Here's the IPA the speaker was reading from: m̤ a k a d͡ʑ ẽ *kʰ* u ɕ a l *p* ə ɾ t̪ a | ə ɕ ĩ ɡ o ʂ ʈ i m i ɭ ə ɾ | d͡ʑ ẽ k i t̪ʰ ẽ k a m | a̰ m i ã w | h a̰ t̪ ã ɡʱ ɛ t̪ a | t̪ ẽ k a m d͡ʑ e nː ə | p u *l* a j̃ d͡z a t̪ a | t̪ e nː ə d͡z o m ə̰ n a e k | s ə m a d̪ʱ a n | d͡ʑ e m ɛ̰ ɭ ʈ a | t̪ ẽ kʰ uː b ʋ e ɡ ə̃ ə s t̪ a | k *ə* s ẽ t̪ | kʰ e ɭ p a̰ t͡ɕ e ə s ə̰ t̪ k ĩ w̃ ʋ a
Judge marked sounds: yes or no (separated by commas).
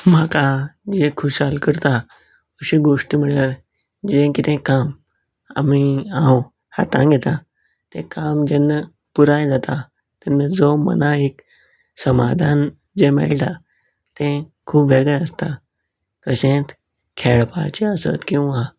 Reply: yes, no, no, yes